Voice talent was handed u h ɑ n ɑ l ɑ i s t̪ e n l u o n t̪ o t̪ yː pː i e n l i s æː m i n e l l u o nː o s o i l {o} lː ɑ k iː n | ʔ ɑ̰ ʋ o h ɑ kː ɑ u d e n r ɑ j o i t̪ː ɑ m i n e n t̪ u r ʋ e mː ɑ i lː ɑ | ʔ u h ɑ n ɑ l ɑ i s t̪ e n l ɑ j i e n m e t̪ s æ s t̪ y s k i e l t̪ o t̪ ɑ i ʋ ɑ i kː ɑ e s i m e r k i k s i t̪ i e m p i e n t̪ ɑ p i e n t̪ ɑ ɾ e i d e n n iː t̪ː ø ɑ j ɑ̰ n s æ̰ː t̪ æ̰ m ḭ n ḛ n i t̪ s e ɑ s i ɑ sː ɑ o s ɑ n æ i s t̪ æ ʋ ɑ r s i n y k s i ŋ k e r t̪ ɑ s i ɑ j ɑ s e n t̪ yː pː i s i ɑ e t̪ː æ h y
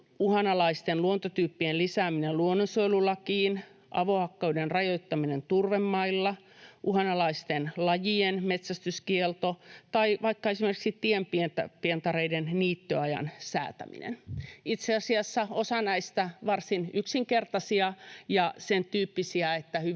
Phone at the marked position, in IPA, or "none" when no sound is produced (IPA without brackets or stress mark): u